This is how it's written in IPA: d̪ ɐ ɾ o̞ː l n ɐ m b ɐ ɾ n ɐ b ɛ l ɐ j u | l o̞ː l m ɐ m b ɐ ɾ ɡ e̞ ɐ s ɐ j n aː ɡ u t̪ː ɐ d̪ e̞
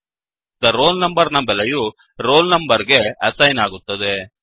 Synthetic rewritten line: d̪ ɐ ɾ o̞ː l n ɐ m b ɐ ɾ n ɐ b ɛ l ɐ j u | ɾ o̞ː l n ɐ m b ɐ ɾ ɡ e̞ ɐ s ɐ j n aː ɡ u t̪ː ɐ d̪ e̞